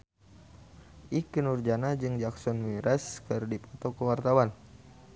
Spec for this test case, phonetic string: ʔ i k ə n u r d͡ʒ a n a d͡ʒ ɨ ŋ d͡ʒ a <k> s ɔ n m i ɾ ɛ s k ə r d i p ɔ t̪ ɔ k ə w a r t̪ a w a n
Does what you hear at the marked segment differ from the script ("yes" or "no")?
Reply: no